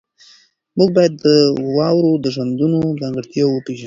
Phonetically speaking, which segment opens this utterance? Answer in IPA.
m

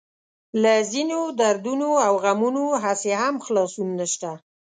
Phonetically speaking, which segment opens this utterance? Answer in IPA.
l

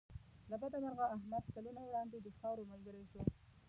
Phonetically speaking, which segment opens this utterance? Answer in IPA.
l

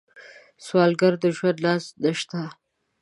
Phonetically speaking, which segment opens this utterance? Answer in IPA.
s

